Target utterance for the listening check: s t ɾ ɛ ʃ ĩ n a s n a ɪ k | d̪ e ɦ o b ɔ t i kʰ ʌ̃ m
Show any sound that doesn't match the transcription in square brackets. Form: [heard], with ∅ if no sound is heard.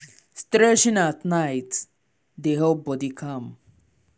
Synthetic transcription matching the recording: s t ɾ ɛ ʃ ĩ n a [t] n a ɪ [t] | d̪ e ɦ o b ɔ [d] i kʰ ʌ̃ m